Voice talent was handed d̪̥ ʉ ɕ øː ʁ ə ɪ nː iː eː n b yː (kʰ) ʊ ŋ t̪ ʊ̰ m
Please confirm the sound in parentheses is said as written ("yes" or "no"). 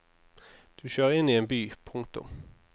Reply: no